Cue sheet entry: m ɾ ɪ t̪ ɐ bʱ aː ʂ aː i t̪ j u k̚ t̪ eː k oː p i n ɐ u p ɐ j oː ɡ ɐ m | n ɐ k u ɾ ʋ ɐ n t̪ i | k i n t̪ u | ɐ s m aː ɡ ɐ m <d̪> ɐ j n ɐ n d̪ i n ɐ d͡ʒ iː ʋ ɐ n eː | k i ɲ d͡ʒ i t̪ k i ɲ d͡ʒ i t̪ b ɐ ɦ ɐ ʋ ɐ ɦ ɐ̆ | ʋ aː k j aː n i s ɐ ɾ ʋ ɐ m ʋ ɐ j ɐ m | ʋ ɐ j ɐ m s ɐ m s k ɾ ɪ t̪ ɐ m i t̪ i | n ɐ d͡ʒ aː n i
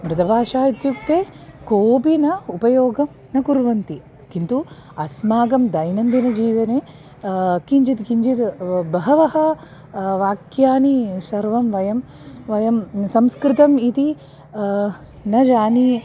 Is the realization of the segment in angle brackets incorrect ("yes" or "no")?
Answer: no